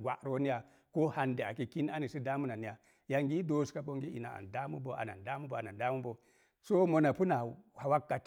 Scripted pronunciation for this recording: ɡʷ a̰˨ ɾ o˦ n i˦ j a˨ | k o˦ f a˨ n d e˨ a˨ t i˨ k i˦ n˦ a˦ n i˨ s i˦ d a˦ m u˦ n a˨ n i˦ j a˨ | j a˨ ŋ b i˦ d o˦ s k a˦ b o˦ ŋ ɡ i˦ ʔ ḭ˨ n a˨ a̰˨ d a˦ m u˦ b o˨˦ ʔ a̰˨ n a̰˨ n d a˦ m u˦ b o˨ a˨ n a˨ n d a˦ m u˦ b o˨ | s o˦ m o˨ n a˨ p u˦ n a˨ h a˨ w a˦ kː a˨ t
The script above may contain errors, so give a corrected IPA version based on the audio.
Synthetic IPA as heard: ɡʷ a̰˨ ɾ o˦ n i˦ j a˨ | k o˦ h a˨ n d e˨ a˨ k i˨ k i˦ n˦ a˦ n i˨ s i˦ d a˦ m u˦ n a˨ n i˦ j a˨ | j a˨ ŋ ɡ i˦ d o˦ s k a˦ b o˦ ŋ ɡ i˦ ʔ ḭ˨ n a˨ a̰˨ d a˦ m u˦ b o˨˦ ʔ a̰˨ n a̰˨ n d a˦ m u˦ b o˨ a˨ n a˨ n d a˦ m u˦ b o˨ | s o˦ m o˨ n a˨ p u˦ n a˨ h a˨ w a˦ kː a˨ t